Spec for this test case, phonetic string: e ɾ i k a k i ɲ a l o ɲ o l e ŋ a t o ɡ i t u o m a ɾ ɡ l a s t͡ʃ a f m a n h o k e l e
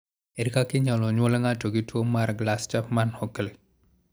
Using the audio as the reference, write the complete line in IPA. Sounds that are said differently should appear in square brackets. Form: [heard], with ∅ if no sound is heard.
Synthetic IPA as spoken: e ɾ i k a k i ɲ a l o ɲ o l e ŋ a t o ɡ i t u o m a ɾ ɡ l a s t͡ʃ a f m a n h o k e l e

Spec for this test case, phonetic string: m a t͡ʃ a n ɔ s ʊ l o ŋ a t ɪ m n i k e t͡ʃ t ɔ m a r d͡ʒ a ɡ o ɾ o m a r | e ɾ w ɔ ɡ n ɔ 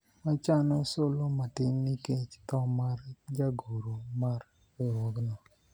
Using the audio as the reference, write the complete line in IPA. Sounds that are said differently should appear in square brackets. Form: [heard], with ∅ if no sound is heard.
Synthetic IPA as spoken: m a t͡ʃ a n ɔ s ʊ l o [m] a t ɪ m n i k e t͡ʃ t ɔ m a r d͡ʒ a ɡ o ɾ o m a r | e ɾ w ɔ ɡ n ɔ

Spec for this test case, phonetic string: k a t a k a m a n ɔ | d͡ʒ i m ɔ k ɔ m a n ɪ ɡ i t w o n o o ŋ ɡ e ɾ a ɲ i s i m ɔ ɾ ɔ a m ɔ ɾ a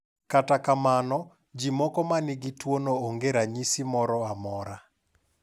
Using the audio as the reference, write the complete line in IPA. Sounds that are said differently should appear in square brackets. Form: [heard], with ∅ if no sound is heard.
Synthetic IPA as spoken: k a t a k a m a n ɔ | d͡ʒ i m ɔ k ɔ m a n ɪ ɡ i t w o n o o ŋ ɡ e ɾ a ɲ i s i m ɔ ɾ ɔ a m ɔ ɾ a

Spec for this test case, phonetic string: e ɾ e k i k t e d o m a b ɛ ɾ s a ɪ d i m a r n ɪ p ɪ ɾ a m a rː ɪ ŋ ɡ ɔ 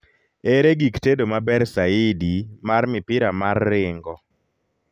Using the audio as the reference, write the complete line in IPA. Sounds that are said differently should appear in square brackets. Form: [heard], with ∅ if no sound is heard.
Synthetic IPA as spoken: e ɾ e [ɡ] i k t e d o m a b ɛ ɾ s a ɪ d i m a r [m] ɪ p ɪ ɾ a m a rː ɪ ŋ ɡ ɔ

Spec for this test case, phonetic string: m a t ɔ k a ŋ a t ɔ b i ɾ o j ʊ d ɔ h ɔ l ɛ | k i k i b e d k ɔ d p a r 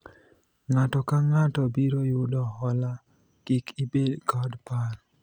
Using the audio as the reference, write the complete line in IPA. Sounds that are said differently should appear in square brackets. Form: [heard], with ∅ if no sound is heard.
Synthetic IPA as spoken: [ŋ] a t ɔ k a ŋ a t ɔ b i ɾ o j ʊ d ɔ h ɔ l [a] | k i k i b e d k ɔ d p a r

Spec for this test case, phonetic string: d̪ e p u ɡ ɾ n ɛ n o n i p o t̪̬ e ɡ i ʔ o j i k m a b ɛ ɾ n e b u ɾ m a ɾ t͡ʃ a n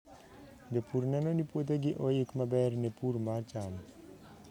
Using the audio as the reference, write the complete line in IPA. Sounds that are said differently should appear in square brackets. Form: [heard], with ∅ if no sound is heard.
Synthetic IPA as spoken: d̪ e p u [∅] ɾ n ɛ n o n i p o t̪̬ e ɡ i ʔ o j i k m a b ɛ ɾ n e [p] u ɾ m a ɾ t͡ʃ a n

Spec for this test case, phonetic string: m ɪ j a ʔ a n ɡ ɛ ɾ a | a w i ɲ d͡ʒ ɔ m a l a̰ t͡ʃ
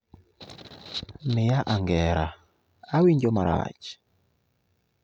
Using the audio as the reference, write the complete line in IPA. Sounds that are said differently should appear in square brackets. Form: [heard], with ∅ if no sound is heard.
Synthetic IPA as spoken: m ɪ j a ʔ a [ŋ] ɡ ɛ ɾ a | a w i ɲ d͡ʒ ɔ m a [ɾ] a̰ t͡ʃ

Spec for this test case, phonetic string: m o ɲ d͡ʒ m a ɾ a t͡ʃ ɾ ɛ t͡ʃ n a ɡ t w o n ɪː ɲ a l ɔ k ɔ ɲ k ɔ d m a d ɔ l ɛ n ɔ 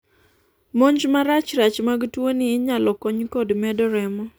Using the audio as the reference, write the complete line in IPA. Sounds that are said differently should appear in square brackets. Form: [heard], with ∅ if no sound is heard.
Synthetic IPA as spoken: m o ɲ d͡ʒ m a ɾ a t͡ʃ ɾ [a] t͡ʃ [m] a ɡ t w o n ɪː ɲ a l ɔ k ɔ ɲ k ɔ d m [ɛ] d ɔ [ɾ] ɛ [m] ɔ

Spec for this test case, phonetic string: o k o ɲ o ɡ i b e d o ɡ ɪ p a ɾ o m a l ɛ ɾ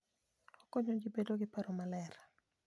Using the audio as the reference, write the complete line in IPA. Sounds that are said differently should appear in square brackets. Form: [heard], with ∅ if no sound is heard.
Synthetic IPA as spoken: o k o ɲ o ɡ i b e d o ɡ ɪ p a ɾ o m a l ɛ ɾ

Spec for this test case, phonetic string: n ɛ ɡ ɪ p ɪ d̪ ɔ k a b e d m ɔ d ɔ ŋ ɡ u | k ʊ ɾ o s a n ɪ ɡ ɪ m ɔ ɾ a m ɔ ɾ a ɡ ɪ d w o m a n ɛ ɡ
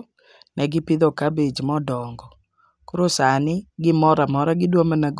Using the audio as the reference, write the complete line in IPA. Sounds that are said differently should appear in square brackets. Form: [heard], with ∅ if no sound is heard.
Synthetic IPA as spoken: n ɛ ɡ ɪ p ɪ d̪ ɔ k a b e [d͡ʒ] m ɔ d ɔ ŋ ɡ [ɔ] | k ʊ ɾ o s a n ɪ ɡ ɪ m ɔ ɾ a m ɔ ɾ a ɡ ɪ d w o m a n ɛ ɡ

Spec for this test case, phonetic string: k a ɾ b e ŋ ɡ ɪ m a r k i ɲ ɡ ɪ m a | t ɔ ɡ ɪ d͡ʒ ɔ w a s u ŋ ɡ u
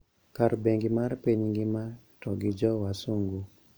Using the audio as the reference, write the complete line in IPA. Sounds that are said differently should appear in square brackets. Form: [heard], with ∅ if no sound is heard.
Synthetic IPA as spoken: k a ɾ b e ŋ ɡ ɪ m a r [p] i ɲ ɡ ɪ m a | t ɔ ɡ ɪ d͡ʒ ɔ w a s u ŋ ɡ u

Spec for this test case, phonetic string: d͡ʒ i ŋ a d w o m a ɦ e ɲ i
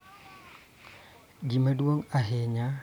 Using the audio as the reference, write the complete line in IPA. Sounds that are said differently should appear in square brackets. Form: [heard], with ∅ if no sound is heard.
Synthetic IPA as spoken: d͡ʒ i [m] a d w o [ŋ] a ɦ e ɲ [a]

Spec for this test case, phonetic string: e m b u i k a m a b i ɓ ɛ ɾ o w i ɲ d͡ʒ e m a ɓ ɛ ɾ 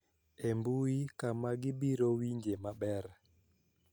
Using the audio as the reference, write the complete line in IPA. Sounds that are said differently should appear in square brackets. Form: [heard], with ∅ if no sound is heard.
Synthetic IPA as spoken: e m b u i k a m a [ɡ] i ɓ [i] ɾ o w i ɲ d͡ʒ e m a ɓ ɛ ɾ

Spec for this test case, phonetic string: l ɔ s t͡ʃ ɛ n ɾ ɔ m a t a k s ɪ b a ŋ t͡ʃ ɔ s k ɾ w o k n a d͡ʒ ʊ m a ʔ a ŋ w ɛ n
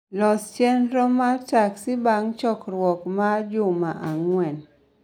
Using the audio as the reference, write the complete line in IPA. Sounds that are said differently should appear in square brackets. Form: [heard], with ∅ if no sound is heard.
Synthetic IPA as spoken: l ɔ s t͡ʃ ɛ n ɾ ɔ m a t a k s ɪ b a ŋ t͡ʃ ɔ [∅] k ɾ w [ɔ] k [m] a d͡ʒ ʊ m a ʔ a ŋ w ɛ n

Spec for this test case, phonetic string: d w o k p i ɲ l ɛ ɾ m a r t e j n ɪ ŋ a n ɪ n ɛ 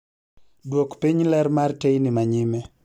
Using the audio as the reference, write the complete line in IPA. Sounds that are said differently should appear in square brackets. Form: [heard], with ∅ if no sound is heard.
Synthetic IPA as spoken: d w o k p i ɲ l ɛ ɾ m a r t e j n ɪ [m] a [ɲ] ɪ [m] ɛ

